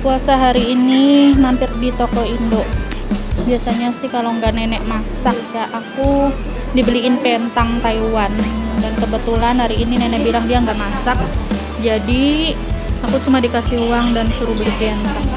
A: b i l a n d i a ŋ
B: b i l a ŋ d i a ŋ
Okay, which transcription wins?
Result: B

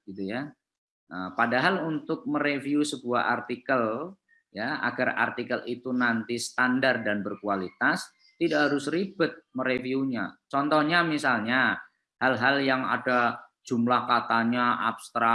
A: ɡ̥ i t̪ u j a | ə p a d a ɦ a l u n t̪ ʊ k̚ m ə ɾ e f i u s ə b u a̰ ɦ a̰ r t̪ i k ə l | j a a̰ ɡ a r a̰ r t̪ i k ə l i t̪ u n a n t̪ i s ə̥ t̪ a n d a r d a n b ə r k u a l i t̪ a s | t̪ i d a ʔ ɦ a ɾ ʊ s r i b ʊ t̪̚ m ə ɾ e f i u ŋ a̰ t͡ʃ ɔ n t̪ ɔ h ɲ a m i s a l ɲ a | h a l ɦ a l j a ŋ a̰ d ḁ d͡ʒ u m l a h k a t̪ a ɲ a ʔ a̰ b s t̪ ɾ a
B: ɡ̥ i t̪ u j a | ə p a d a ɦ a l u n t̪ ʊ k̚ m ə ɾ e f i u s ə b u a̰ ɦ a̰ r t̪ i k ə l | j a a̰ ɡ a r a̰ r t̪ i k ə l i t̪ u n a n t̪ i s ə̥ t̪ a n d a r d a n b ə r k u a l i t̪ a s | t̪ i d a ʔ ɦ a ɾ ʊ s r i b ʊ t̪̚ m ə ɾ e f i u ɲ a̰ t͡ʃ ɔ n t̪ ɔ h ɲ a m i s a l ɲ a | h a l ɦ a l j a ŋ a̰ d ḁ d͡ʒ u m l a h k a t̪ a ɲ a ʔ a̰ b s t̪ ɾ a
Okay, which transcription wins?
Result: B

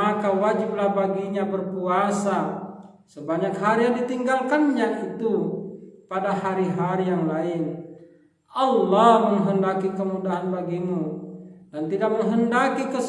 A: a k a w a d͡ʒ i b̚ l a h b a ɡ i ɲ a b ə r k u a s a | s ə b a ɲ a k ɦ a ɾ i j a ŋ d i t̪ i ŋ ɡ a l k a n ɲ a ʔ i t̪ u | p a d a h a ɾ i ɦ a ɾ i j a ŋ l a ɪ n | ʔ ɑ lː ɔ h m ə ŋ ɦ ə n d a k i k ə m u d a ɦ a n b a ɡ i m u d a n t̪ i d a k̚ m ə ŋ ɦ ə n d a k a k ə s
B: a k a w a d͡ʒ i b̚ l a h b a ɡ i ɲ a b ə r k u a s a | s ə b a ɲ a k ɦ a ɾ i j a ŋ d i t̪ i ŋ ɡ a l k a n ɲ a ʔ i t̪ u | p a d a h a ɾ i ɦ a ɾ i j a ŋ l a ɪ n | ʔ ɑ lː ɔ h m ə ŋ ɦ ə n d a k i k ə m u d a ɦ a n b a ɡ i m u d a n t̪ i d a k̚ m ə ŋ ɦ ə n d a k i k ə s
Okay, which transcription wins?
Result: B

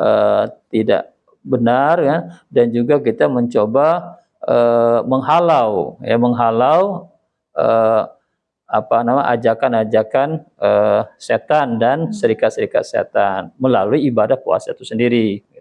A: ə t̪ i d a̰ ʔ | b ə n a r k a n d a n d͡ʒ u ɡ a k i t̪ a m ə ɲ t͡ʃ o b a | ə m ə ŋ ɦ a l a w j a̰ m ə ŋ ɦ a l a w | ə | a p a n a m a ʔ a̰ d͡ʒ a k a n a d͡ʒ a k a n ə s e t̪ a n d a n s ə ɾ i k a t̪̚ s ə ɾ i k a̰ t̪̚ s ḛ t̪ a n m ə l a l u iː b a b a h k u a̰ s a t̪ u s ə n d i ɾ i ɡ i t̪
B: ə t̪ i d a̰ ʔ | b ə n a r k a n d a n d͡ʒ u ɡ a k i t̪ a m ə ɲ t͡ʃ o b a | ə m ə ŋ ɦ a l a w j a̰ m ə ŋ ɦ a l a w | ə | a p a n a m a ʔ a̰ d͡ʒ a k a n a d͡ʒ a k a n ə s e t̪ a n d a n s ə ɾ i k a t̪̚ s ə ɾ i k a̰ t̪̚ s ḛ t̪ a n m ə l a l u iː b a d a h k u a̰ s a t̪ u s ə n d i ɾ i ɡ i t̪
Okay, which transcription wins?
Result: B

